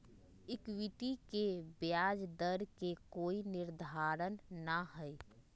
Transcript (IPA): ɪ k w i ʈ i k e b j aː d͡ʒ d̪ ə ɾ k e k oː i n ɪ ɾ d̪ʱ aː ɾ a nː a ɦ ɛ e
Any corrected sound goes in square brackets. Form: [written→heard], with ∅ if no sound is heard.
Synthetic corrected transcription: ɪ k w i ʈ i k e b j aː d͡ʒ d̪ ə ɾ k e k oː i n ɪ ɾ d̪ʱ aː ɾ [a→ə] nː a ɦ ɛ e